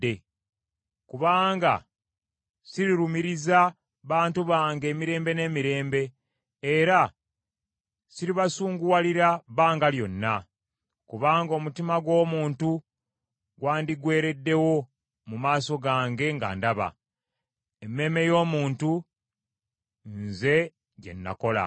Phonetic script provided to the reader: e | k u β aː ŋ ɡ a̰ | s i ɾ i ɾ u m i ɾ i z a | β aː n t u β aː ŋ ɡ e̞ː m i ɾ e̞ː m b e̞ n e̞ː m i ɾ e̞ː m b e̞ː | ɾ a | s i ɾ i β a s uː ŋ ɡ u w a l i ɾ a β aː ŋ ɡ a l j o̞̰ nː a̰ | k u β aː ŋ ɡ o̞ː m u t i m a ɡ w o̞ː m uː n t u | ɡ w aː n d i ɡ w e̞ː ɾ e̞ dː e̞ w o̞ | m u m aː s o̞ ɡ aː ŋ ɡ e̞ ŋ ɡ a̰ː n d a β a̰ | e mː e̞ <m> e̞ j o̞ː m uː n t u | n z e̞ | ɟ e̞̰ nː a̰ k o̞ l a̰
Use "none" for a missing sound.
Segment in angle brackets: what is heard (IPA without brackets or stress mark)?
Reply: m